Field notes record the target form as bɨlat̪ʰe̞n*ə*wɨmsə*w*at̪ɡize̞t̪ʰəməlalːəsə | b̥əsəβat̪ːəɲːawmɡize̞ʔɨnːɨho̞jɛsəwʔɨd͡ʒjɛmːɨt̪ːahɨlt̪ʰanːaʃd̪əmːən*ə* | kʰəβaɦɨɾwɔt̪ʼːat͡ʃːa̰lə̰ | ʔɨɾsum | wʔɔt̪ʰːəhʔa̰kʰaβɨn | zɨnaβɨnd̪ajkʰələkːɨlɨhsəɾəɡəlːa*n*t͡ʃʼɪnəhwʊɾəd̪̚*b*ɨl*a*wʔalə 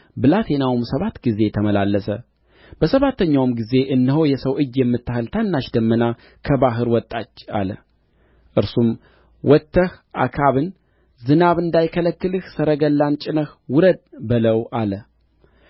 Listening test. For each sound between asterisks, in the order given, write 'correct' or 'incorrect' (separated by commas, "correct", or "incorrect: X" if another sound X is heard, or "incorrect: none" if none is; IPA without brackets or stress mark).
incorrect: a, incorrect: β, incorrect: a, correct, correct, incorrect: ə